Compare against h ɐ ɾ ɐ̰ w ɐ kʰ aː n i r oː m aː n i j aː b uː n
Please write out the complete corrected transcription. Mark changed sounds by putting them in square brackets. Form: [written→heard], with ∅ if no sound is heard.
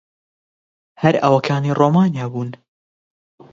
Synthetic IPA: h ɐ ɾ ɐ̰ w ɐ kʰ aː n i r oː m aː n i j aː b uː n

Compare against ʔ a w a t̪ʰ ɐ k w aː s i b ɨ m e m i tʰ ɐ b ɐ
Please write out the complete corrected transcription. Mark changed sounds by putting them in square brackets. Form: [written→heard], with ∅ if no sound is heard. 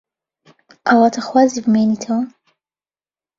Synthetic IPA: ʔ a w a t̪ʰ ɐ [k→x] w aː [s→z] i b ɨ m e [m→n] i tʰ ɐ [b→w] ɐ

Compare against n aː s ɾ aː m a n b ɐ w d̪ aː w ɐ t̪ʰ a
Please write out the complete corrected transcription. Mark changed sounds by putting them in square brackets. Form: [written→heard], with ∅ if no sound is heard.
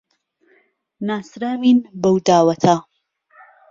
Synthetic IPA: n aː s ɾ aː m [a→i] n b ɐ w d̪ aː w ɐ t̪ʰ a

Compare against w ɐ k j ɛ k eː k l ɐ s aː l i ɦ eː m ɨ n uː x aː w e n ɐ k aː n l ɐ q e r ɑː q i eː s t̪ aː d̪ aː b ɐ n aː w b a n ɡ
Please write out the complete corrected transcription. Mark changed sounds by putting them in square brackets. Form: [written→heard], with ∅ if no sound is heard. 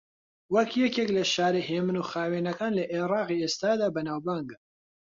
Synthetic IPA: w ɐ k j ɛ k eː k l ɐ [s→ʃ] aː [l→ɾ] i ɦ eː m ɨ n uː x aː w e n ɐ k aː n l ɐ [q→ʔ] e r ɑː q i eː s t̪ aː d̪ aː b ɐ n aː w b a [n→ŋ] ɡ

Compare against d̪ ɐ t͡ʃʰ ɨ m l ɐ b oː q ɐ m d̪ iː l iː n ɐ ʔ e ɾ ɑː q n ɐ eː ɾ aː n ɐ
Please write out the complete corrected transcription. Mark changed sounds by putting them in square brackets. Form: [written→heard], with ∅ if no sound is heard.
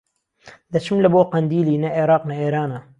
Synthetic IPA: d̪ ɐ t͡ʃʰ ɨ m l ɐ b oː q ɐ [m→n] d̪ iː l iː n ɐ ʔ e ɾ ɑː q n ɐ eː ɾ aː n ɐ

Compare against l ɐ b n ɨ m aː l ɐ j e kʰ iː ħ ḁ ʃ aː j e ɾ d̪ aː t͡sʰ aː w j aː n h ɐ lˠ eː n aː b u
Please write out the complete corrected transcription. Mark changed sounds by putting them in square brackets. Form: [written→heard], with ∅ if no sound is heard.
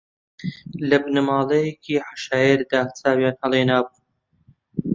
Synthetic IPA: l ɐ b n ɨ m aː l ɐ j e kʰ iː ħ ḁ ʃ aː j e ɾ d̪ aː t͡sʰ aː w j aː n h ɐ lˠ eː n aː b u

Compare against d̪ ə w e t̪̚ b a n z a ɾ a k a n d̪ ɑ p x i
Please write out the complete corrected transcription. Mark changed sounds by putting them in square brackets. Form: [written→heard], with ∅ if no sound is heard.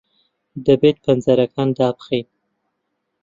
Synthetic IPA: d̪ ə [w→b] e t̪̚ [b→p] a n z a ɾ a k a n d̪ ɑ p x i

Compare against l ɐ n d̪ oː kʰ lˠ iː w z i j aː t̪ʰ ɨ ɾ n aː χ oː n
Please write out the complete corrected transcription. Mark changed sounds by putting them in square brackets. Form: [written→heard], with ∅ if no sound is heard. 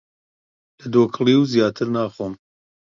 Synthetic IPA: l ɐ [n→∅] d̪ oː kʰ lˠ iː w z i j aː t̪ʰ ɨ ɾ n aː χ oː [n→m]

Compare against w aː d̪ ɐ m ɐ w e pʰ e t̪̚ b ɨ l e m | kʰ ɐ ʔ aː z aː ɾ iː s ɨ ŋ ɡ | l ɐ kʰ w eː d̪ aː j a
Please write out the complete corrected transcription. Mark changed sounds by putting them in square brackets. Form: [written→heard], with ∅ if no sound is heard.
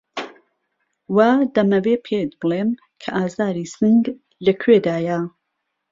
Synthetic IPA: w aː d̪ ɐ m ɐ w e pʰ e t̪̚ b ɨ l e m | kʰ ɐ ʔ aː z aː ɾ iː s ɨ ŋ ɡ | l ɐ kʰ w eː d̪ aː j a

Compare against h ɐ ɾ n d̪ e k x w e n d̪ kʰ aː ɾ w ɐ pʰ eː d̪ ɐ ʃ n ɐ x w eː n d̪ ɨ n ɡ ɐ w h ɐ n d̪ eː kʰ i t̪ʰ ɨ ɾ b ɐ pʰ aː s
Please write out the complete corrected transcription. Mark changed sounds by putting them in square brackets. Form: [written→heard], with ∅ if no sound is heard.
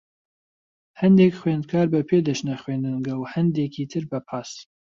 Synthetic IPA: h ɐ [ɾ→∅] n d̪ e k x w e n d̪ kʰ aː ɾ [w→b] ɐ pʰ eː d̪ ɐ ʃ n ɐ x w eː n d̪ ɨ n ɡ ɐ w h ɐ n d̪ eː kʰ i t̪ʰ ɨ ɾ b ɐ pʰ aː s

